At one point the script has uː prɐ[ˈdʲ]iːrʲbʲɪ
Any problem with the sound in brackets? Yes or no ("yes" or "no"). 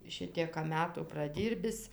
no